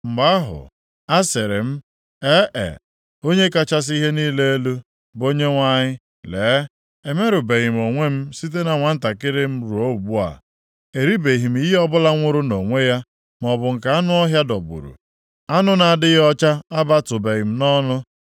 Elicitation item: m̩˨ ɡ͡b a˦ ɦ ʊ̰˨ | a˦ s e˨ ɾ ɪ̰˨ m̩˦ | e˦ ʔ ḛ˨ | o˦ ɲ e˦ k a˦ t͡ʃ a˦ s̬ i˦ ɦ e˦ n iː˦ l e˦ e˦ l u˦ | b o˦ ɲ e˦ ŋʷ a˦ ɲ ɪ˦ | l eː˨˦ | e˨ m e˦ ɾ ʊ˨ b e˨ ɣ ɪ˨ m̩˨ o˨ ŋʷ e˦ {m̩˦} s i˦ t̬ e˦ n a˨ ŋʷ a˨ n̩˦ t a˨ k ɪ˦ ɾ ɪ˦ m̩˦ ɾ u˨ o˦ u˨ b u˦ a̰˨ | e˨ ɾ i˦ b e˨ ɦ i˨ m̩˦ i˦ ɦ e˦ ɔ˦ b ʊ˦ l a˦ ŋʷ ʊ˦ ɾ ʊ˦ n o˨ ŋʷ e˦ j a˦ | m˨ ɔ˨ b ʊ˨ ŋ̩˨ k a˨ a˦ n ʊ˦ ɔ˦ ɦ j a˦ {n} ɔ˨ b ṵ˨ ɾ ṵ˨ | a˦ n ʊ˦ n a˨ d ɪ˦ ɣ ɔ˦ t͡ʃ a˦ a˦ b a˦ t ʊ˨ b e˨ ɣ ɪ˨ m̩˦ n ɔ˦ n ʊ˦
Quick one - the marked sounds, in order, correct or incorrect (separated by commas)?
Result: correct, incorrect